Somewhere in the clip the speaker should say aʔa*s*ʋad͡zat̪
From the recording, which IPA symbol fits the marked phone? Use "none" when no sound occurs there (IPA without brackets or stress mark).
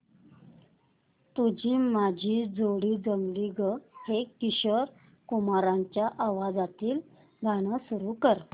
none